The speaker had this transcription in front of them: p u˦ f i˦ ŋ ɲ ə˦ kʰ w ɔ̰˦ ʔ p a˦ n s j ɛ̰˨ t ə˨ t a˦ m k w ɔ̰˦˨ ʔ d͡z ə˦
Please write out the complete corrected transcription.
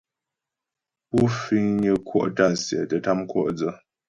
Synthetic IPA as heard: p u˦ f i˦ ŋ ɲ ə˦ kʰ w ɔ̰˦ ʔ t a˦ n s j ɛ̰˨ t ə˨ t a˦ m k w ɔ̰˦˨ ʔ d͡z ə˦